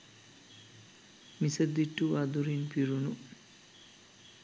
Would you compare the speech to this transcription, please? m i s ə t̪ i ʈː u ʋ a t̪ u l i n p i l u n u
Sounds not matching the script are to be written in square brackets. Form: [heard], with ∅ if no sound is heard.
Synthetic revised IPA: m i s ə [d̪] i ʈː u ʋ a [d̪] u [ɾ] i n p i [ɾ] u n u